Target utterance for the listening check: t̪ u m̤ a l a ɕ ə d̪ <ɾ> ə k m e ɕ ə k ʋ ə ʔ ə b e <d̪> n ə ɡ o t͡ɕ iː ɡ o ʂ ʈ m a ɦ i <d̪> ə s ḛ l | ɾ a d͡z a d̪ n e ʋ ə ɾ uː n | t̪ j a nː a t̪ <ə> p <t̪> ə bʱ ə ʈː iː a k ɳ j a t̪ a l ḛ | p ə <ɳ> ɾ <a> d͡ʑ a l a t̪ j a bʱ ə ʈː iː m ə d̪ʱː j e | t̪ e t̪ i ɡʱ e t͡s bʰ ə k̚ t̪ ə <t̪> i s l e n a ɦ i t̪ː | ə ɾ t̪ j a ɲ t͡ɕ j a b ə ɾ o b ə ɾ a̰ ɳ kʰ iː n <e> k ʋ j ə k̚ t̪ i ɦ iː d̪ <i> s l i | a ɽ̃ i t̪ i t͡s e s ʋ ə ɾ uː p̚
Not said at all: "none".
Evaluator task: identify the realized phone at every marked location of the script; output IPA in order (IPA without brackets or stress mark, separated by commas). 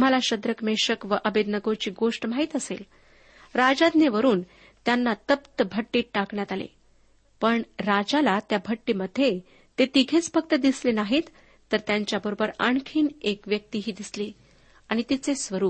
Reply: ɾ, d̪, t̪, ə, t̪, ɳ, a, d̪, e, i